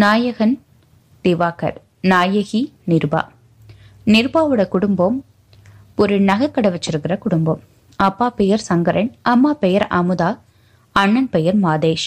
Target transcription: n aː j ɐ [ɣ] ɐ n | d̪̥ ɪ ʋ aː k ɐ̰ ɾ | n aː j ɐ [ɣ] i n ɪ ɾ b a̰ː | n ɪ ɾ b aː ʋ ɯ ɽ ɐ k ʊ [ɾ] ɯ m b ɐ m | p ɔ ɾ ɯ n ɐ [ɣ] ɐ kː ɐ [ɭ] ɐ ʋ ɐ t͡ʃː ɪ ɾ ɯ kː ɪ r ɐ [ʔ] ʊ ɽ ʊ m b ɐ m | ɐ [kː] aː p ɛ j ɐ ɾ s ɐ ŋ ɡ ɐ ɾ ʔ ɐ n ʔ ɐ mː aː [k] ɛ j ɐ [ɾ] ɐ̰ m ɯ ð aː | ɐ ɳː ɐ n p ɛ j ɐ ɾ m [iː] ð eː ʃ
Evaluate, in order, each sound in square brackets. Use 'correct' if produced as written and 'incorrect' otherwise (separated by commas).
correct, correct, incorrect, correct, incorrect, incorrect, incorrect, incorrect, correct, incorrect